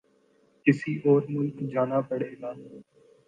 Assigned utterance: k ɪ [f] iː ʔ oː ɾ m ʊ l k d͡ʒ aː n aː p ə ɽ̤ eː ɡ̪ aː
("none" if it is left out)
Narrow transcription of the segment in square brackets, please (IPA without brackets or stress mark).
s